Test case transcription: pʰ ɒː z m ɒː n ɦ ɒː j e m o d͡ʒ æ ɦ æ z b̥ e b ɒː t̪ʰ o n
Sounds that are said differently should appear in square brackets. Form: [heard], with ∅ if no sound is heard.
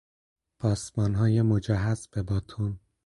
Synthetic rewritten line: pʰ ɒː [s] m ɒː n ɦ ɒː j e m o d͡ʒ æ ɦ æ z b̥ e b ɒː t̪ʰ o n